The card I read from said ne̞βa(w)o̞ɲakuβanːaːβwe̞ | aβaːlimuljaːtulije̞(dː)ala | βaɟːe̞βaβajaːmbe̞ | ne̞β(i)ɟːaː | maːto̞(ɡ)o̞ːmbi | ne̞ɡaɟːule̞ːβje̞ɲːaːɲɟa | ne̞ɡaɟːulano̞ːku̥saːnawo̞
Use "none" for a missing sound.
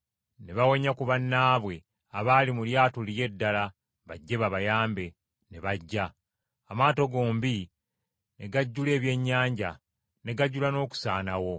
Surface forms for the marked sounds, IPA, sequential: w, dː, a, ɡ

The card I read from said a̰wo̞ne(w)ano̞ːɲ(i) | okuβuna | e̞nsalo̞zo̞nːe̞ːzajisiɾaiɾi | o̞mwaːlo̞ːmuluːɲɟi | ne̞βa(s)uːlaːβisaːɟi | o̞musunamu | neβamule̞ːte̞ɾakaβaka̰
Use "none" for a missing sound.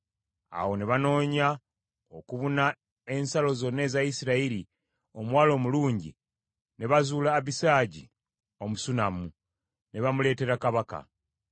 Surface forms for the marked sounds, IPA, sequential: β, a, z

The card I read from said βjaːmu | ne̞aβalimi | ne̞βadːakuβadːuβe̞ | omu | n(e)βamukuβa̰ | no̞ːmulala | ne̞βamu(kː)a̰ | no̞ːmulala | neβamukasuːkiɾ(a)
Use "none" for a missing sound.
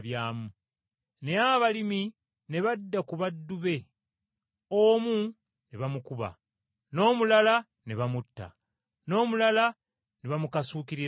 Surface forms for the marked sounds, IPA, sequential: e, tː, i

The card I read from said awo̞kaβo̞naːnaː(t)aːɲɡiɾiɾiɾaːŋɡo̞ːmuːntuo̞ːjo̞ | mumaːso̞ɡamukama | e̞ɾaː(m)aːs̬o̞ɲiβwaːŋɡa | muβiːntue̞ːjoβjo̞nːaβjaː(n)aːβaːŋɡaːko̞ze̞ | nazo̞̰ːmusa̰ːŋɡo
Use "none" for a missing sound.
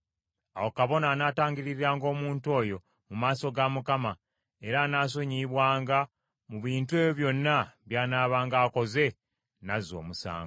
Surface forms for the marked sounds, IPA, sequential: t, n, n

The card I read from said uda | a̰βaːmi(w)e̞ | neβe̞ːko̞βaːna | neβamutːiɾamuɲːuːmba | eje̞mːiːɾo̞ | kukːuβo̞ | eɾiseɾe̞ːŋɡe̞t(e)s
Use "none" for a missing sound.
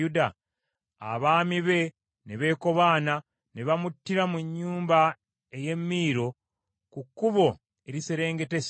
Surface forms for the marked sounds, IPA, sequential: β, e

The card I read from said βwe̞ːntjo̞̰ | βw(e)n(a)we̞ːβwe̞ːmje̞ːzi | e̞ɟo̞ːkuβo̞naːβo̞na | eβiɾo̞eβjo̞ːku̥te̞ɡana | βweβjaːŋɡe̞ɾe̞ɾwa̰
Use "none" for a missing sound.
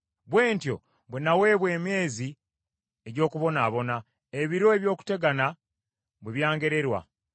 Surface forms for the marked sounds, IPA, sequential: e, a

